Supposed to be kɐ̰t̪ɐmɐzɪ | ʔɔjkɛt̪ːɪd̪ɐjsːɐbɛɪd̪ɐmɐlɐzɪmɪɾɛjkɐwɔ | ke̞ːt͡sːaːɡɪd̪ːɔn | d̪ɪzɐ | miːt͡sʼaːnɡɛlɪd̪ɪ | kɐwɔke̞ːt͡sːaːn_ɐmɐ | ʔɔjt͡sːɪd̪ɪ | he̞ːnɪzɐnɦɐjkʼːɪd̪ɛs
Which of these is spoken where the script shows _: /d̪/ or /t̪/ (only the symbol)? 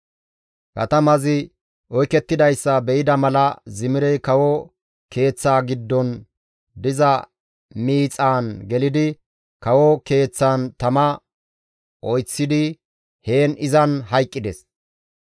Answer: t̪